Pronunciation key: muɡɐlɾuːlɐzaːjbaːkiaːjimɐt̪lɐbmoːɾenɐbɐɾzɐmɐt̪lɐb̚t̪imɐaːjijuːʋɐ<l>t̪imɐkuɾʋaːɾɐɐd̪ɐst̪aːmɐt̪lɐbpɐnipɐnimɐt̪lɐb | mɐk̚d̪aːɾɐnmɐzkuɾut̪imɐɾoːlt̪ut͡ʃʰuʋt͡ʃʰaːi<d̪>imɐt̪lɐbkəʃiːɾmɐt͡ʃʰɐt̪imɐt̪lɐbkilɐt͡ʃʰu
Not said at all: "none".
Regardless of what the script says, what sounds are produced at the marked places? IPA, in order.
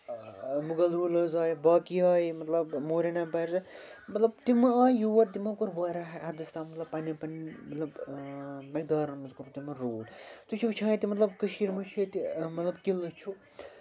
ɾ, t̪

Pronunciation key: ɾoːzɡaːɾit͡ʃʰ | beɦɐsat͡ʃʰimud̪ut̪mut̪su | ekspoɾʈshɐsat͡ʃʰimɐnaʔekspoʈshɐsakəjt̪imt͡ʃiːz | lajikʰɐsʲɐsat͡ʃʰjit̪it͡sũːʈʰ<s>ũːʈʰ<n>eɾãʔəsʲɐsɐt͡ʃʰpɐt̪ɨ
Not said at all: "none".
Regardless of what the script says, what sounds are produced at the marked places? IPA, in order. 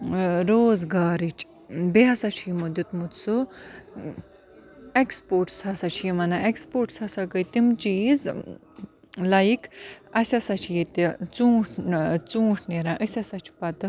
t͡s, n

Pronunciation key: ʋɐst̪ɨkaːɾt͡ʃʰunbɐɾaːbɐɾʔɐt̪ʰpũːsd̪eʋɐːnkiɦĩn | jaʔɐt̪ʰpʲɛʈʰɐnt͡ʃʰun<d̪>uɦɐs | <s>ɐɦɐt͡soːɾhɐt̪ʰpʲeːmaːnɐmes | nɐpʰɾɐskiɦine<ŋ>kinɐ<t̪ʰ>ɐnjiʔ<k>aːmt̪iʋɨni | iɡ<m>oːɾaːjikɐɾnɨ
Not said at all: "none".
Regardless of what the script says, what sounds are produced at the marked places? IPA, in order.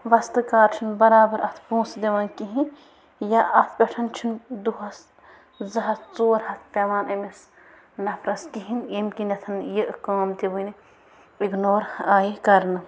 d̪, z, m, t̪ʰ, k, n

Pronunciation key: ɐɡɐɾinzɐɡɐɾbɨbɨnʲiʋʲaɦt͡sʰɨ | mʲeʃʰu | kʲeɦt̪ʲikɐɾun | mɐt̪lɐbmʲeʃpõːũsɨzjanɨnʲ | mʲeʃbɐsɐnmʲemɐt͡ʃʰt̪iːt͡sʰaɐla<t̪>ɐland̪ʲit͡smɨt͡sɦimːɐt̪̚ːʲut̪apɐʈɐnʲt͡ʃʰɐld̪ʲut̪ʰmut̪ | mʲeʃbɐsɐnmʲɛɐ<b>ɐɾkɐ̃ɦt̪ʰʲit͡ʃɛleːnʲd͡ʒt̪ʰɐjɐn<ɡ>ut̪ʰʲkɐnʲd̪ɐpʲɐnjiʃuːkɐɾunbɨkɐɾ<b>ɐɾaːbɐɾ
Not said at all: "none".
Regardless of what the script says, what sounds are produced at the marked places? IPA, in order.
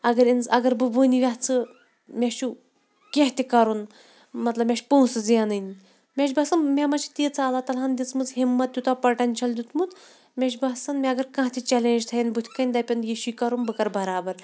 t̪, ɡ, b, b

